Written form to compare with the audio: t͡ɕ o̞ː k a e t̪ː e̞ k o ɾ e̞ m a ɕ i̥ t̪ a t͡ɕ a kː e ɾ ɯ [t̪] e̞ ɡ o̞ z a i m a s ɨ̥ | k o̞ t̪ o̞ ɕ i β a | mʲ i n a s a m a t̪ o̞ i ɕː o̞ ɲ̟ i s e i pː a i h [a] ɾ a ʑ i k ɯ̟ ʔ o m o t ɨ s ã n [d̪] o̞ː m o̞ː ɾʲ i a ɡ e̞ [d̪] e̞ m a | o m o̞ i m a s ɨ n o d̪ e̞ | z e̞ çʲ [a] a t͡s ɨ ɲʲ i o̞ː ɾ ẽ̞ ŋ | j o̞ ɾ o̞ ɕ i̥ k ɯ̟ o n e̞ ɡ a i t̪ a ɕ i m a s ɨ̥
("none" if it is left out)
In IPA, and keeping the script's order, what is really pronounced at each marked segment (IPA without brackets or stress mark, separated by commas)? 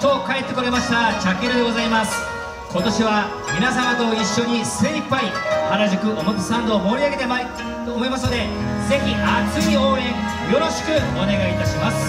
d̪, a, d̪, t̪, i